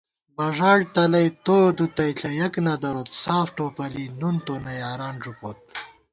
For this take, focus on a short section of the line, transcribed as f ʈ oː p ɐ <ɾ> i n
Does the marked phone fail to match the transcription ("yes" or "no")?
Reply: yes